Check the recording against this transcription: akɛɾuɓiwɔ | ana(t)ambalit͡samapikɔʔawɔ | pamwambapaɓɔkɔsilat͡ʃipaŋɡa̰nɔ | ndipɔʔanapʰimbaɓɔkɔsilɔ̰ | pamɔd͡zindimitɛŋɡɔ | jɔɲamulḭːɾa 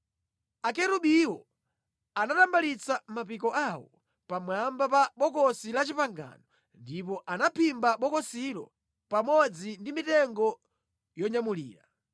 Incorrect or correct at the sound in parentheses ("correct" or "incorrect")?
correct